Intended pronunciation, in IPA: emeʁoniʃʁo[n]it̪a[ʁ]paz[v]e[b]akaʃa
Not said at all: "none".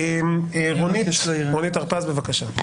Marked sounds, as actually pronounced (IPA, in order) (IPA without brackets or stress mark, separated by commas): n, ʁ, b, v